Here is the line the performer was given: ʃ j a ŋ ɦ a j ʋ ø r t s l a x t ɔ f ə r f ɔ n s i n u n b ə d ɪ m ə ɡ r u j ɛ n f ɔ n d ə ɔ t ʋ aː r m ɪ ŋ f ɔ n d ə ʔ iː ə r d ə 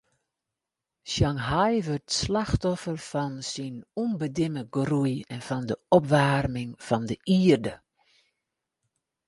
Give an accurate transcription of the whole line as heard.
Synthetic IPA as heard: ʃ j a ŋ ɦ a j ʋ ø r t s l a x t ɔ f ə r f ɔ n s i n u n b ə d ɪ m ə ɡ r u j ɛ n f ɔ n d ə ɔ p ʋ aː r m ɪ ŋ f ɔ n d ə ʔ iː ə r d ə